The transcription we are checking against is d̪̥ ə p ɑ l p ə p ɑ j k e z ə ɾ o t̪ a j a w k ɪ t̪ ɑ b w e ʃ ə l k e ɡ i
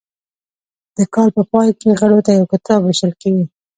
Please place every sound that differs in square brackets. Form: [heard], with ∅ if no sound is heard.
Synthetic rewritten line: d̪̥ ə [k] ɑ l p ə p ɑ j k e [ɣ] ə [ɽ] o t̪ a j a w k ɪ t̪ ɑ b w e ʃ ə l k e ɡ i